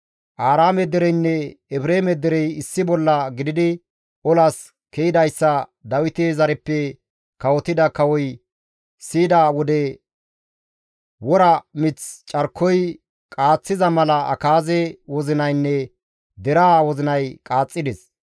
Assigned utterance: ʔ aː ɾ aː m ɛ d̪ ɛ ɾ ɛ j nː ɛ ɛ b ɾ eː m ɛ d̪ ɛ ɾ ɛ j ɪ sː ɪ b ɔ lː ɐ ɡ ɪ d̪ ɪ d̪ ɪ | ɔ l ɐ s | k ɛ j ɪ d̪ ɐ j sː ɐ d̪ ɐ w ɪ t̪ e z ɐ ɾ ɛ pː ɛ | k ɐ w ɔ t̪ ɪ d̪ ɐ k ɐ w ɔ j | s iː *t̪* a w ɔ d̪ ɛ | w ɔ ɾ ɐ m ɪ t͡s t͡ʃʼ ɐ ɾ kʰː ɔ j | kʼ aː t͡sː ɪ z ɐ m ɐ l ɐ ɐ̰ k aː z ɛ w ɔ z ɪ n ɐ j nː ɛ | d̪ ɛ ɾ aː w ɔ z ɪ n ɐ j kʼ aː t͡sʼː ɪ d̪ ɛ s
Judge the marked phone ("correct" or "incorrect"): incorrect